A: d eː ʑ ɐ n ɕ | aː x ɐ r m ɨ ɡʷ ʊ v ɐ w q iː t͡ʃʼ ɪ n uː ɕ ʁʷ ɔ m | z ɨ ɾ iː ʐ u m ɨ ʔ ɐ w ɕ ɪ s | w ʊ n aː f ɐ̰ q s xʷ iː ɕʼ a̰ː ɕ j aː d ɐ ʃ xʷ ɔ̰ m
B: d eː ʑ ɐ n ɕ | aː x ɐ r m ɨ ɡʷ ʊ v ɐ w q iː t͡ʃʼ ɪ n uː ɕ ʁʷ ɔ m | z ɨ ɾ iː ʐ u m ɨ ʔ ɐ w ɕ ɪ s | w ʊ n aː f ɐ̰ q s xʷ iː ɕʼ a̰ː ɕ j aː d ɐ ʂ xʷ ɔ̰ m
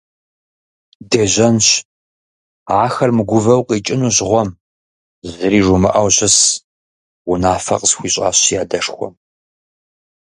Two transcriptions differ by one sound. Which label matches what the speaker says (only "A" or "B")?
B